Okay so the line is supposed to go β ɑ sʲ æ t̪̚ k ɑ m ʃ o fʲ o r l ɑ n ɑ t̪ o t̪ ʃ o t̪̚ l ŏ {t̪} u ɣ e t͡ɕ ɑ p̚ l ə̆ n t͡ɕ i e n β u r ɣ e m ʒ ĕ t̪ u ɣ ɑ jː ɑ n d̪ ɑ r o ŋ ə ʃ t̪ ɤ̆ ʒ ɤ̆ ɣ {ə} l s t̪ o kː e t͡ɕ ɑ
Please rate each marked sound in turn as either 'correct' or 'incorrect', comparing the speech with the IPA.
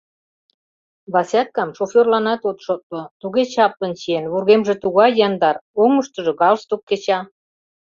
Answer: correct, incorrect

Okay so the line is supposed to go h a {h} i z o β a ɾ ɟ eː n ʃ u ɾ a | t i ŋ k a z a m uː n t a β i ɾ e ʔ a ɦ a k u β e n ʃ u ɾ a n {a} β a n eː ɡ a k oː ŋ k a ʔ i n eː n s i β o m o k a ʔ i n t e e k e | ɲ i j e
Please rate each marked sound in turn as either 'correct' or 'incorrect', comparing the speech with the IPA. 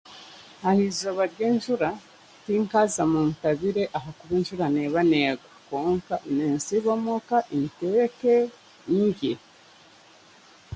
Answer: correct, incorrect

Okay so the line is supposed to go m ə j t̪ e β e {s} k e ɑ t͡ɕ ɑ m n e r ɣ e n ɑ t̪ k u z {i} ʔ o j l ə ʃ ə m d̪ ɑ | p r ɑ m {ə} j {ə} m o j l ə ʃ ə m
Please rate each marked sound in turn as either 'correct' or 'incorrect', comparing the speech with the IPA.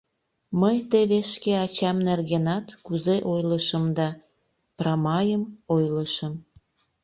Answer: incorrect, incorrect, incorrect, correct

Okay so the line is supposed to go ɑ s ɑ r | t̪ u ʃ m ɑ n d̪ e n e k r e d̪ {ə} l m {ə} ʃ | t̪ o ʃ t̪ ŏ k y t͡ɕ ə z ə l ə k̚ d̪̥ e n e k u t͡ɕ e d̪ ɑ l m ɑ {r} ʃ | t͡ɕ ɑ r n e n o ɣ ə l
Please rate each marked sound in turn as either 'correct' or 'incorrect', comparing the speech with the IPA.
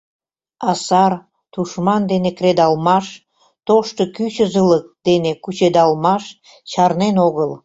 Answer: incorrect, incorrect, incorrect

